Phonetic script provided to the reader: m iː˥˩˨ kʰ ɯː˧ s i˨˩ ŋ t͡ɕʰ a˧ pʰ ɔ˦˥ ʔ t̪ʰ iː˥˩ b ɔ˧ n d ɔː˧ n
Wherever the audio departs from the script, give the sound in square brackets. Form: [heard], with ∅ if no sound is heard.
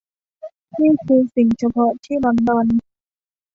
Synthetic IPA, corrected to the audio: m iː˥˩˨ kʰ ɯː˧ s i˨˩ ŋ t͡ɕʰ a˧ pʰ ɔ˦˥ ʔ t̪ʰ iː˥˩ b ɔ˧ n d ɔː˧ n